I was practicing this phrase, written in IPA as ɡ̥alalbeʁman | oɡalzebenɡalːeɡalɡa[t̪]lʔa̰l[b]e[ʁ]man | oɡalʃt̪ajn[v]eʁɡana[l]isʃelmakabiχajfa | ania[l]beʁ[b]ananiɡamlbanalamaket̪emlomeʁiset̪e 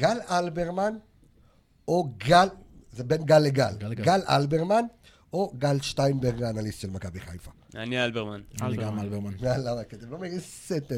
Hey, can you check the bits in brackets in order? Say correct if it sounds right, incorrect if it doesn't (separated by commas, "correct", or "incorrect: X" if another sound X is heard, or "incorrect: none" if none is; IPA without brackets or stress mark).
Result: incorrect: none, correct, correct, incorrect: b, correct, correct, incorrect: m